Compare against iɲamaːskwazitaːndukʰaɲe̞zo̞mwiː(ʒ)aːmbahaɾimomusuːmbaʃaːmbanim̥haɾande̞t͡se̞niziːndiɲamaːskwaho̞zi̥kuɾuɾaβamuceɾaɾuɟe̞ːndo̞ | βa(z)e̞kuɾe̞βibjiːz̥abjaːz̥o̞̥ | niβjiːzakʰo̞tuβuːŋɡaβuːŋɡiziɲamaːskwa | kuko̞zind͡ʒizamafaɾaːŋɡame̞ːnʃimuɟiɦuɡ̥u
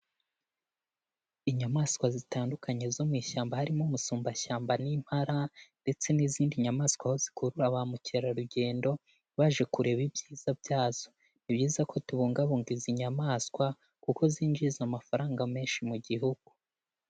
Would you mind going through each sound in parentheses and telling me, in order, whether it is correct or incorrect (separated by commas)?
incorrect, incorrect